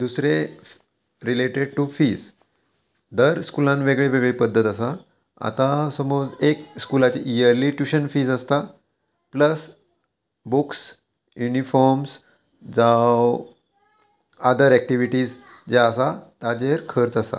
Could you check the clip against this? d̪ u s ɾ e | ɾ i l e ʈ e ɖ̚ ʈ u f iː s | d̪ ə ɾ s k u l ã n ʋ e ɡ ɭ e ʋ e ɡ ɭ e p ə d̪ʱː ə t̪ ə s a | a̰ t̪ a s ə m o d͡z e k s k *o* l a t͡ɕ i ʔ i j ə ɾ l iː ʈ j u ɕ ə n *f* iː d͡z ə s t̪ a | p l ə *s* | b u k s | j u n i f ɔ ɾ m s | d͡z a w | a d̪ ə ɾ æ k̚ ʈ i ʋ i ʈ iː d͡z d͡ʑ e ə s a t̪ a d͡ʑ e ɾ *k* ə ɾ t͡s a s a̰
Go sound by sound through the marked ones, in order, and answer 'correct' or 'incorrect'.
incorrect: u, correct, correct, incorrect: kʰ

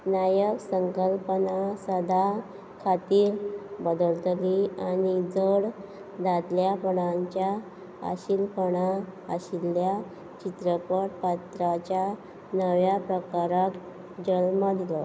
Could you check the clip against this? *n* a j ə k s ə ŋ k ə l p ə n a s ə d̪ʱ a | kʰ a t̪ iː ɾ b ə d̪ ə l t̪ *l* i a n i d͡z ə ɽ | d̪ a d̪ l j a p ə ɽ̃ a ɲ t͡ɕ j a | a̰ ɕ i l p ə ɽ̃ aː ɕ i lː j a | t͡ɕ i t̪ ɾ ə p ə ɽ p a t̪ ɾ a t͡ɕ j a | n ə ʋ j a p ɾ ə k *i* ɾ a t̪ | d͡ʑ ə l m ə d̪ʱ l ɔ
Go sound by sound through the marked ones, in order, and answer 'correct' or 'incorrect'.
correct, correct, incorrect: a

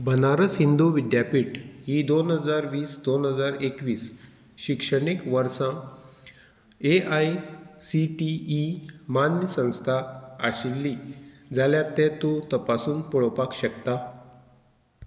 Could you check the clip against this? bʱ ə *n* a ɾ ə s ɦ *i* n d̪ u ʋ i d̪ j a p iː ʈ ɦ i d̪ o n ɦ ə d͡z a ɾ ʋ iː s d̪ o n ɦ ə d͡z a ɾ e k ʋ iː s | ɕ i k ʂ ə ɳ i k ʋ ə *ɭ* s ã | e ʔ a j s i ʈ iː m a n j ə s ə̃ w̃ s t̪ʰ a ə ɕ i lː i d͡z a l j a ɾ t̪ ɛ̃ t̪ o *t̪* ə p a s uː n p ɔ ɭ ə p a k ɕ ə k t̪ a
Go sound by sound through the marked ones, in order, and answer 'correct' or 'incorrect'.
correct, correct, incorrect: ɾ, correct

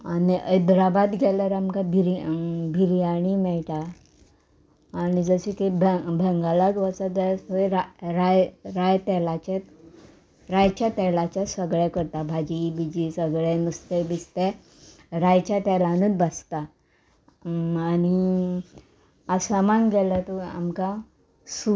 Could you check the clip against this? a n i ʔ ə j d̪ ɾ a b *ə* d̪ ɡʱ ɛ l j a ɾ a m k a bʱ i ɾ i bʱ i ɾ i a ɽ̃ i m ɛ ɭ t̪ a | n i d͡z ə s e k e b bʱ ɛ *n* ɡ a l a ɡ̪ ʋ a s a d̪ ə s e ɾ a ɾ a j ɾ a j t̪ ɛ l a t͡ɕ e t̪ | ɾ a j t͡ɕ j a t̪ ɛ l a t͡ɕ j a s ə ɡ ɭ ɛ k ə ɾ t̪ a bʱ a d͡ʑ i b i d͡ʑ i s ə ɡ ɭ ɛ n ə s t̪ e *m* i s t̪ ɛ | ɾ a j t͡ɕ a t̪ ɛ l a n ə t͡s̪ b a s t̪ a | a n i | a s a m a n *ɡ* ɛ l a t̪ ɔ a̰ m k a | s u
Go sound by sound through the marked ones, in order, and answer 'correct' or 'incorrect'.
incorrect: a, incorrect: ŋ, incorrect: b, correct

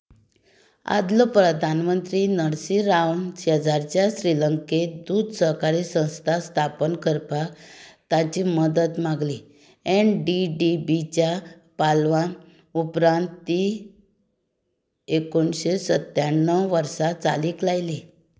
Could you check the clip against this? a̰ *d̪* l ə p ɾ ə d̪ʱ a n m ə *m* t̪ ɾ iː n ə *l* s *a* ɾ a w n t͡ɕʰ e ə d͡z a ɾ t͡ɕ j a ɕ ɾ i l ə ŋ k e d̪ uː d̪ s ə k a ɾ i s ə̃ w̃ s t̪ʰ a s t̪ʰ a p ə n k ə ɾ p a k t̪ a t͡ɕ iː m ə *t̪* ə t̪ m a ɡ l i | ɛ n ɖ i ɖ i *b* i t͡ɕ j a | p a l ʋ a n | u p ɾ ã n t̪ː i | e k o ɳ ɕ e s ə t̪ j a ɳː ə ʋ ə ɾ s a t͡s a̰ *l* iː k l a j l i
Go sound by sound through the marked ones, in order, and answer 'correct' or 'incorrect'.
correct, incorrect: n, incorrect: ɽ, incorrect: i, incorrect: d̪, correct, correct

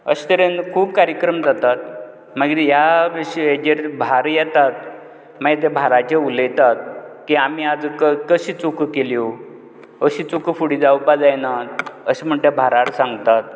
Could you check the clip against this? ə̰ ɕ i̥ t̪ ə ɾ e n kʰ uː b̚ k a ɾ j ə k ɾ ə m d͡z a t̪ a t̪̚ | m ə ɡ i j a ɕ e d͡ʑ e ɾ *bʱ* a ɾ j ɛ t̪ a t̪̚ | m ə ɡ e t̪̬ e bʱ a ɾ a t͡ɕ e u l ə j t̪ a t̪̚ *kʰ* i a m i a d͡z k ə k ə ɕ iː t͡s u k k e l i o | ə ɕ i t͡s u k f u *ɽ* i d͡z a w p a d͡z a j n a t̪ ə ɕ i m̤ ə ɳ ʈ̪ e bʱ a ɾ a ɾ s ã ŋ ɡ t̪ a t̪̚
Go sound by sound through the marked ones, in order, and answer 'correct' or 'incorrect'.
correct, incorrect: k, correct

